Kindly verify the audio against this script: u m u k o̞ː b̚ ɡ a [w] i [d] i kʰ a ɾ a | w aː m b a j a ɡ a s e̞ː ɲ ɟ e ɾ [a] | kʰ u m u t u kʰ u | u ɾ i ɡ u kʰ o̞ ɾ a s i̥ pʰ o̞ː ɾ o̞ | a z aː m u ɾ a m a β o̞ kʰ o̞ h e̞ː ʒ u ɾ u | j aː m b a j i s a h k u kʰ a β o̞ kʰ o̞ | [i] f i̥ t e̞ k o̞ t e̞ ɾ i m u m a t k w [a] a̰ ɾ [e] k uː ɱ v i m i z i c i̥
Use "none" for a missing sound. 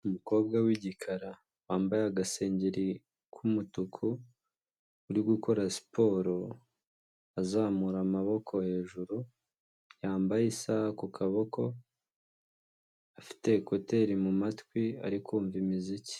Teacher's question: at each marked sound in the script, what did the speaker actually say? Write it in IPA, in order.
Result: w, ɟ, i, a, i, i

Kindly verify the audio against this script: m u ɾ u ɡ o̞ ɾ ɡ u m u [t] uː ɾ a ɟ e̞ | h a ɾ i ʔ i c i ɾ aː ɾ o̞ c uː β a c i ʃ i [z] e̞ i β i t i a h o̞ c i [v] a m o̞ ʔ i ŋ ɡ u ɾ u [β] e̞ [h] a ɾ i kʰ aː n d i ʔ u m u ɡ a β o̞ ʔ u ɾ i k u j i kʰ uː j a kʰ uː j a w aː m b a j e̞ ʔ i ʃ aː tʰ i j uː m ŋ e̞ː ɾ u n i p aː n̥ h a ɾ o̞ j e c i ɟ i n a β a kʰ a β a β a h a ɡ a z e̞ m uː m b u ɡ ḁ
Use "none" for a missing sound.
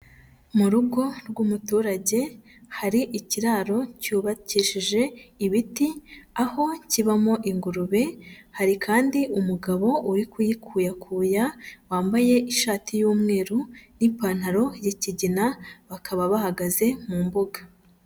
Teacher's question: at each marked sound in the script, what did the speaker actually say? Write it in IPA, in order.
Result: t, ʒ, β, β, h

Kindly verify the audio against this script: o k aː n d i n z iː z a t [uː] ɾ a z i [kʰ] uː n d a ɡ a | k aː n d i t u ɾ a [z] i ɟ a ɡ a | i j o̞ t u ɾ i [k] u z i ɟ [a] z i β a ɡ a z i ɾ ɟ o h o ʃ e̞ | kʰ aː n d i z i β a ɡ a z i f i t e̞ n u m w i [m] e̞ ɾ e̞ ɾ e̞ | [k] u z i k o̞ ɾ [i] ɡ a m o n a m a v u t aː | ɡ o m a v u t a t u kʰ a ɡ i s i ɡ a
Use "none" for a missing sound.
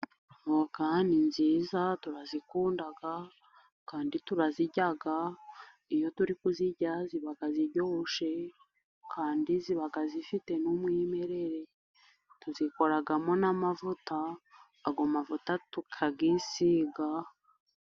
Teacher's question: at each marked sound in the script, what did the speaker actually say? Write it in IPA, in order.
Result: u, k, z, k, a, m, t, a

